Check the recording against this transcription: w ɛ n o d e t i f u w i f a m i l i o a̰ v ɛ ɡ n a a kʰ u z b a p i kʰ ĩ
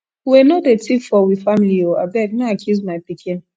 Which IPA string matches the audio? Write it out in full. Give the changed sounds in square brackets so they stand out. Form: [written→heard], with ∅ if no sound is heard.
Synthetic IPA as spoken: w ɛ n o d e t i f [u→ɔ] w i f a m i l i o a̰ [v→b] ɛ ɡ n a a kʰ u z [b→m] a p i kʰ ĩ